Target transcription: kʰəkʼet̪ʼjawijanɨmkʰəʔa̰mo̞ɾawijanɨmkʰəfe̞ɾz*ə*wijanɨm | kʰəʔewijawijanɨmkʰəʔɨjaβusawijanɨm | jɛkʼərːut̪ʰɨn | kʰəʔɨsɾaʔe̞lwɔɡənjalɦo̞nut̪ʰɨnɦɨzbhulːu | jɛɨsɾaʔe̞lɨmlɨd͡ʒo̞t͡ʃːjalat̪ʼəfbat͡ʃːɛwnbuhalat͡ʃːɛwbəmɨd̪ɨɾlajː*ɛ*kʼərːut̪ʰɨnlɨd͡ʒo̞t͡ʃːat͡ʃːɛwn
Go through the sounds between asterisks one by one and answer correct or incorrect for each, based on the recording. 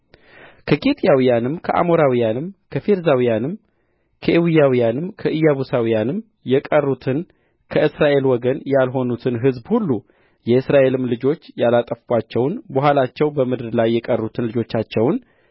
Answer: incorrect: a, correct

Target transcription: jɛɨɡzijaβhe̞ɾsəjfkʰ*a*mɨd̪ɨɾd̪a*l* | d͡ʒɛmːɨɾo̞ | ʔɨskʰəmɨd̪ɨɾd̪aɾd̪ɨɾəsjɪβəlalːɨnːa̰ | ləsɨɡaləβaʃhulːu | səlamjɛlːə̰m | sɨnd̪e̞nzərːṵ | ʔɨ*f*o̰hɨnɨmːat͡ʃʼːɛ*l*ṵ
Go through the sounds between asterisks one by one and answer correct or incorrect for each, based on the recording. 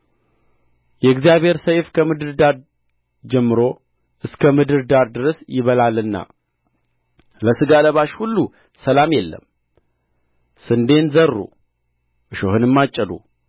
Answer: incorrect: ə, incorrect: ɾ, incorrect: ʃ, correct

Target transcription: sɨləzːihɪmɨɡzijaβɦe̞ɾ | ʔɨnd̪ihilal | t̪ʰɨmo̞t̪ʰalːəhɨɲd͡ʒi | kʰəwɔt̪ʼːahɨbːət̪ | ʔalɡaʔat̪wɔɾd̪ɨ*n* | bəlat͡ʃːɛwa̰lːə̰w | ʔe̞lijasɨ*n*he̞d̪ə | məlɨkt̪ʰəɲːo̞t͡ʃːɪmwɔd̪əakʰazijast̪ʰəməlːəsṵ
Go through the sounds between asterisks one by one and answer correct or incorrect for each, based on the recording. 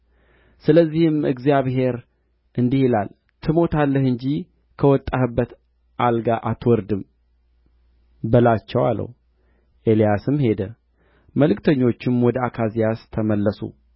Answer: incorrect: m, incorrect: m

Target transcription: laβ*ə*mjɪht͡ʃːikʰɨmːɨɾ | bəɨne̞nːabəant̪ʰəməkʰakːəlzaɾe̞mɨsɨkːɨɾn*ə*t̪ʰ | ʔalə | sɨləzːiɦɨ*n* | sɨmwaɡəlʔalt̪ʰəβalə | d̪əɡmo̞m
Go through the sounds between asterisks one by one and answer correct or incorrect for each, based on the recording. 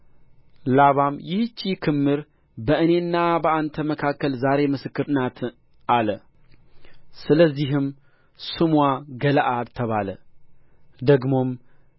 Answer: incorrect: a, incorrect: a, incorrect: m

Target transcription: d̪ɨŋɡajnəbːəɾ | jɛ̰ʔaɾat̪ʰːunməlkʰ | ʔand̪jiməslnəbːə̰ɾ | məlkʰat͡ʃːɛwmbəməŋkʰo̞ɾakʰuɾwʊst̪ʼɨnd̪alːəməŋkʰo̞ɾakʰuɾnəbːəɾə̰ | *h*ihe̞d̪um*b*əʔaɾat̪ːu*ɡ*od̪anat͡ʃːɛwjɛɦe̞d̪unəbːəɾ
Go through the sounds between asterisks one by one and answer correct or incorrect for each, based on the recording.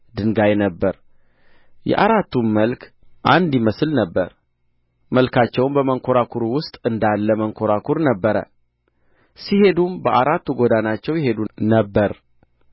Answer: incorrect: s, correct, correct

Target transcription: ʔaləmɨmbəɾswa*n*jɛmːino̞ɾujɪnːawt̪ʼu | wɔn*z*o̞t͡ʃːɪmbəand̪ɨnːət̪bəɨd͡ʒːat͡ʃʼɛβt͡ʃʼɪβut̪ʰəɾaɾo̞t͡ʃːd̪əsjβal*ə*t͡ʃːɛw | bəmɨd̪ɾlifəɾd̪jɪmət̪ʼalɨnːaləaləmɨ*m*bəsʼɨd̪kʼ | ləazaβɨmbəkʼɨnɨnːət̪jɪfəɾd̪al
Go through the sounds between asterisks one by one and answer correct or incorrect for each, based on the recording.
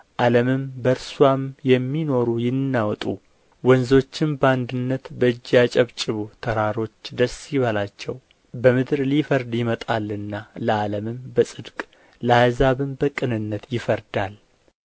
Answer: incorrect: m, correct, incorrect: a, correct

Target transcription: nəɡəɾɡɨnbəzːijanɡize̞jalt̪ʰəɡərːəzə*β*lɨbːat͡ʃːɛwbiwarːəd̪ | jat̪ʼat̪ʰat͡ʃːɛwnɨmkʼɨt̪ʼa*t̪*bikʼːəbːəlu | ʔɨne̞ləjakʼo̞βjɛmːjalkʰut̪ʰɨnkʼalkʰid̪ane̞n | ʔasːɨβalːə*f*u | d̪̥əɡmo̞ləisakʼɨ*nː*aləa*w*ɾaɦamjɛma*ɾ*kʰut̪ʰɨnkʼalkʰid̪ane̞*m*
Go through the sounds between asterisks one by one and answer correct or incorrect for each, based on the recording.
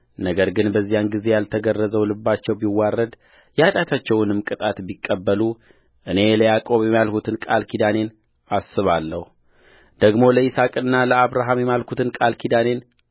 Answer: incorrect: w, correct, incorrect: h, correct, incorrect: β, incorrect: l, incorrect: n

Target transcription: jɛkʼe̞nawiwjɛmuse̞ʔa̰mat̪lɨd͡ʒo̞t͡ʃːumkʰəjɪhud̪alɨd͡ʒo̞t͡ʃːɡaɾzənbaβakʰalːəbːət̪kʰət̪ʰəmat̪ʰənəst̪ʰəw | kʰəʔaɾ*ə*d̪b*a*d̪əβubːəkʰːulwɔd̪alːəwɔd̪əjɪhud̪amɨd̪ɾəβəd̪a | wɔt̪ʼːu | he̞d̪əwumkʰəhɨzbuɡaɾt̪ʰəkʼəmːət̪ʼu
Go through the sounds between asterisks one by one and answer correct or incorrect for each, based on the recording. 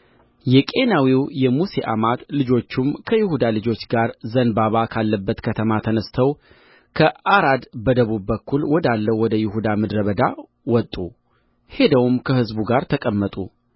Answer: incorrect: a, incorrect: ə

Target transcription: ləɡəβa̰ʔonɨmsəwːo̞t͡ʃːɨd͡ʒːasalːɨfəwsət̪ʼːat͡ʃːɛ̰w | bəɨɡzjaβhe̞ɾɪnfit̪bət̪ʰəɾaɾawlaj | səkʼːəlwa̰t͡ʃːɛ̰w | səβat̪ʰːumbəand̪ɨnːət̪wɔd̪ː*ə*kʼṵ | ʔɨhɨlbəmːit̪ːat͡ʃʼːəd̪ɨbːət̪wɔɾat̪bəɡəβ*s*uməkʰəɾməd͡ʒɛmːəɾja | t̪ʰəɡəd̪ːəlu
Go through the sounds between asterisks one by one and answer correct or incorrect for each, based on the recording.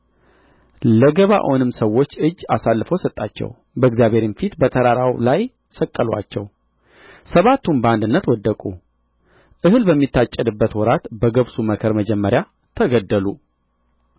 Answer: correct, correct

